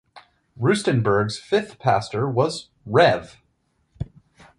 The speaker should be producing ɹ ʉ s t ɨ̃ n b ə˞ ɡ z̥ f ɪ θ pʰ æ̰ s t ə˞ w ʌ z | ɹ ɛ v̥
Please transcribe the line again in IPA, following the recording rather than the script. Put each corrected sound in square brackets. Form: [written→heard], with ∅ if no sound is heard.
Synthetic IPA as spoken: ɹ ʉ s t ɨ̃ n b ə˞ ɡ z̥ f ɪ θ pʰ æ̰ s t ə˞ w ʌ z | ɹ ɛ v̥